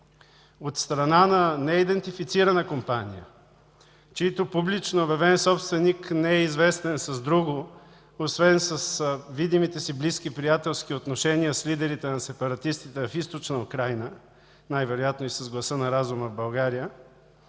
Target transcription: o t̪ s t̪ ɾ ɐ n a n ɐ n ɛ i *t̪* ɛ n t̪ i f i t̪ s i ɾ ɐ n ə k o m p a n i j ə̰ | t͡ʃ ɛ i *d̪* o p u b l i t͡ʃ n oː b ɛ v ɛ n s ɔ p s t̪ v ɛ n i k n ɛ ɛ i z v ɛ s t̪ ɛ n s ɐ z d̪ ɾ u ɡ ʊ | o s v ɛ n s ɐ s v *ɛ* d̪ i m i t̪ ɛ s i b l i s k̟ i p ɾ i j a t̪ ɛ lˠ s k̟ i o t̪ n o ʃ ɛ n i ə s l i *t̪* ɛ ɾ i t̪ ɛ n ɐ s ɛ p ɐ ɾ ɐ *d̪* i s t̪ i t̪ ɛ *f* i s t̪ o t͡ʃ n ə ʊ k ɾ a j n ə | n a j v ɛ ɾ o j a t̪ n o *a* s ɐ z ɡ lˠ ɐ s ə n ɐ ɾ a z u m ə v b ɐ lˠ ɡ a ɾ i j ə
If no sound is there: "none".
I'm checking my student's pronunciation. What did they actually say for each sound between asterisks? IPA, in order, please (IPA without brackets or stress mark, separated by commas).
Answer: d̪, t̪, i, d̪, t̪, f, i